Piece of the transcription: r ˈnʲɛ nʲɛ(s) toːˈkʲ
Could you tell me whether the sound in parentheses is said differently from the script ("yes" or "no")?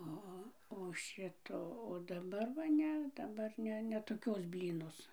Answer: yes